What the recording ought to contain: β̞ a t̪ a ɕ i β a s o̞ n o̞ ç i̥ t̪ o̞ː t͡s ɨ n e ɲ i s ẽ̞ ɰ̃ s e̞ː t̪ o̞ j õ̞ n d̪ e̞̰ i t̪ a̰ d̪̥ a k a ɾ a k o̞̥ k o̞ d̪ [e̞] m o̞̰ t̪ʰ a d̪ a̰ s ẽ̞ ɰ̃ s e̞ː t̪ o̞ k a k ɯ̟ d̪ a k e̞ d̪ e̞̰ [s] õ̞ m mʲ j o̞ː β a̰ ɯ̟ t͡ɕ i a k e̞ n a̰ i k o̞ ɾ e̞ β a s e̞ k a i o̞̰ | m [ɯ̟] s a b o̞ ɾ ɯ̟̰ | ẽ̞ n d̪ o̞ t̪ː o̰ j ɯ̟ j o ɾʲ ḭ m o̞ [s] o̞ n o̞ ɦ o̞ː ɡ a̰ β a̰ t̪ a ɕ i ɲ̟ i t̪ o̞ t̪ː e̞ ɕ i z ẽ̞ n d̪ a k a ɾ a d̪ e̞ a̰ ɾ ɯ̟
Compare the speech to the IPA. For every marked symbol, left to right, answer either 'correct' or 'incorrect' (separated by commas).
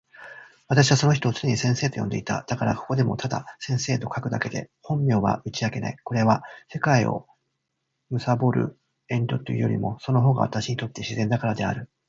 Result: correct, incorrect, correct, correct